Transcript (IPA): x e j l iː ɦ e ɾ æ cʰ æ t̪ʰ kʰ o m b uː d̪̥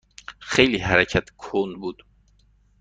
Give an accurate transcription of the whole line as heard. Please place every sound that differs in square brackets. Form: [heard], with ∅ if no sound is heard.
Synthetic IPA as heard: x e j l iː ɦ [æ] ɾ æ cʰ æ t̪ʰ kʰ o [n] b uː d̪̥